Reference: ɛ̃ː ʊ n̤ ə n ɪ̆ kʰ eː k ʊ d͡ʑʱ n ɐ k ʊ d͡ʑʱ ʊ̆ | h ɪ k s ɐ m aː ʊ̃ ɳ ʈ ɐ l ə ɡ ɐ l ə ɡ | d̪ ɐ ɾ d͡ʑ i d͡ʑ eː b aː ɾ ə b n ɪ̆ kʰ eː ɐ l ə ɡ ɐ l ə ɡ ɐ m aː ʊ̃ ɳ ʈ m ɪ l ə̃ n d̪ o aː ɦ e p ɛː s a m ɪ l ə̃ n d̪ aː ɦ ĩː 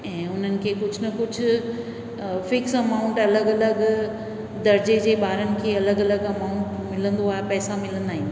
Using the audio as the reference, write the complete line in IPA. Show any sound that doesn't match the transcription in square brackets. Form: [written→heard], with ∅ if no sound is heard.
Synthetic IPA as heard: ɛ̃ː ʊ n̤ ə n ɪ̆ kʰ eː k ʊ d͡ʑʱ n ɐ k ʊ d͡ʑʱ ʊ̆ | [h→f] ɪ k s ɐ m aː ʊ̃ ɳ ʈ ɐ l ə ɡ ɐ l ə ɡ | d̪ ɐ ɾ d͡ʑ [i→e] d͡ʑ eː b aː ɾ ə [b→∅] n ɪ̆ kʰ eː ɐ l ə ɡ ɐ l ə ɡ ɐ m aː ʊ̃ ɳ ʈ m ɪ l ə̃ n d̪ o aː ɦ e p ɛː s a m ɪ l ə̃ n d̪ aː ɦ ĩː